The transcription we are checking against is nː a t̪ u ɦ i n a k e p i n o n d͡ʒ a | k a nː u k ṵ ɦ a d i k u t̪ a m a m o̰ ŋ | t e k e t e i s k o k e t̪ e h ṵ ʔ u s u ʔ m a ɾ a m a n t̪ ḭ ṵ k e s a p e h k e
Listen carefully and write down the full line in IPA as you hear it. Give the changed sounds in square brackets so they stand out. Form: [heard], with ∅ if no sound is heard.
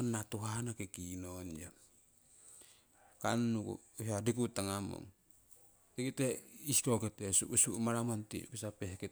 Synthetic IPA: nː a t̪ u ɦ [a] n a k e [k] i n o n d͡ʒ a | k a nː u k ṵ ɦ a d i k u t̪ a [ŋ] a m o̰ ŋ | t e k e t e i s k o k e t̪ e [s] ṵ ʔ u s u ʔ m a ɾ a m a n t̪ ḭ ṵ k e s a p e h k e